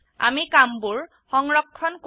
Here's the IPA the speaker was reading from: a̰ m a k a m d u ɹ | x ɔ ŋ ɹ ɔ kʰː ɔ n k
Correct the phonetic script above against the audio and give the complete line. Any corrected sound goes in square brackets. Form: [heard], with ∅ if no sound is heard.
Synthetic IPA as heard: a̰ m [i] k a m [b] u ɹ | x ɔ ŋ ɹ ɔ kʰː ɔ n k